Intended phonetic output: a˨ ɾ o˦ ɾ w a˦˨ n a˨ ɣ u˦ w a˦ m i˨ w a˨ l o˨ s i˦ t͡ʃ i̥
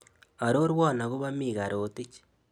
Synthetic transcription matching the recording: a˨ ɾ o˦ ɾ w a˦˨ n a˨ ɣ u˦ β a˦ m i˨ ɣ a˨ ɾ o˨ t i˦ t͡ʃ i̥